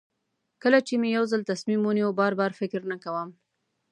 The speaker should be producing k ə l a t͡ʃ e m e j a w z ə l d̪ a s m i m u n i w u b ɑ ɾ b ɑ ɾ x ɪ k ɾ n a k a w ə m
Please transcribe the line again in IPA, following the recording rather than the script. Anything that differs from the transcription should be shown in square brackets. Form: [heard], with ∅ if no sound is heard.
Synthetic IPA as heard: k ə l a t͡ʃ e m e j a w z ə l [t̪] a s m i m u n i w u b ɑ ɾ b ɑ ɾ [f] ɪ k ɾ n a k a w ə m